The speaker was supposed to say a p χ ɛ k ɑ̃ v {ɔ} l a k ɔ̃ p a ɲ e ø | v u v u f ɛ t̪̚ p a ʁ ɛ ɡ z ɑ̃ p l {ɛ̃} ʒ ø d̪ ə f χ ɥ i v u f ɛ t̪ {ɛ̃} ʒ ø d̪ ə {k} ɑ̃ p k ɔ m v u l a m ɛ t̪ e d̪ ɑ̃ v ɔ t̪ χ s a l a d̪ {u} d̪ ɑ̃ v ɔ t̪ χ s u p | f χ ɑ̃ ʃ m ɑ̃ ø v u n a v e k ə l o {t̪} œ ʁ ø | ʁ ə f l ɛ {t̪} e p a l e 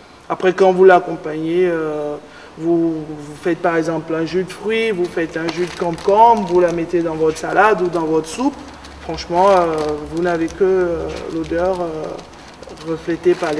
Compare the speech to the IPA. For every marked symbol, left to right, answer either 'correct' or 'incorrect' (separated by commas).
incorrect, correct, correct, correct, correct, incorrect, correct